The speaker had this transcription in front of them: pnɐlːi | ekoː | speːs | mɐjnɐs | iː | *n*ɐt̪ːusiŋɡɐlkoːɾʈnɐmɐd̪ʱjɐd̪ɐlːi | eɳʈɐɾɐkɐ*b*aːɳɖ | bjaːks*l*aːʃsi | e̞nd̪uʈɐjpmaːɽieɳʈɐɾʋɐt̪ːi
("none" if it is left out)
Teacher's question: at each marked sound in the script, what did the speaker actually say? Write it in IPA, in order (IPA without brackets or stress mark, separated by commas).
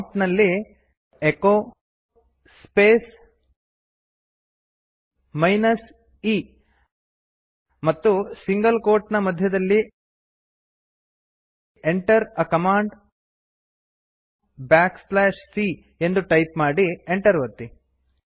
m, m, l